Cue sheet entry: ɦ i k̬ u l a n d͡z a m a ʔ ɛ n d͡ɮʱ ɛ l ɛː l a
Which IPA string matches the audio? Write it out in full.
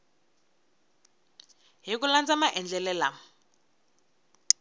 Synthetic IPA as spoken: ɦ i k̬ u l a n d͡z a m a ʔ ɛ n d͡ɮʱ ɛ l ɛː l a